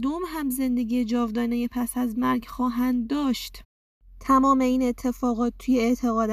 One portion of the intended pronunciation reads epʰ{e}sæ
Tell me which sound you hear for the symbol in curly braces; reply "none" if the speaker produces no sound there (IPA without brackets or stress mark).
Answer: æ